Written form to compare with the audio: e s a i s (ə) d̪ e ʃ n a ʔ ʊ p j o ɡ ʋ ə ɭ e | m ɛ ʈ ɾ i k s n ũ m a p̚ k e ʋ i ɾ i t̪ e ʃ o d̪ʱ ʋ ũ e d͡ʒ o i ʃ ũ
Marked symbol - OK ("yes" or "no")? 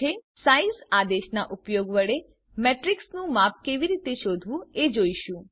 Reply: no